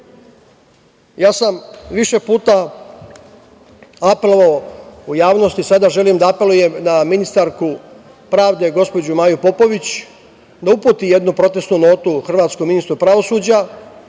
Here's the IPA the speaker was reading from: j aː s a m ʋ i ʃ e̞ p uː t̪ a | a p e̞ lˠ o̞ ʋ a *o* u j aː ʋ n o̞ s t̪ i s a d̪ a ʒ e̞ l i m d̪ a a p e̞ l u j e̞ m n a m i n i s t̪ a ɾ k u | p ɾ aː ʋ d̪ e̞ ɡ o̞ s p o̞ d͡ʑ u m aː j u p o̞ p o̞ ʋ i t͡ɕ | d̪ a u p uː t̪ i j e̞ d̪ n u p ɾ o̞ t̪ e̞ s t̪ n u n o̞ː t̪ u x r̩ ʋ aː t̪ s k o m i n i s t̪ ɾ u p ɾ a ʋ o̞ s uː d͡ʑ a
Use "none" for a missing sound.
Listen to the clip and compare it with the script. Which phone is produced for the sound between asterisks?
o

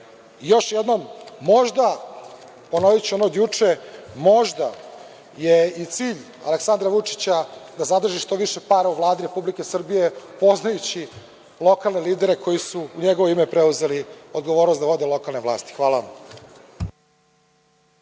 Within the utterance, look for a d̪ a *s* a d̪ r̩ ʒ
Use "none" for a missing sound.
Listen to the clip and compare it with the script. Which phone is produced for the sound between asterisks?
z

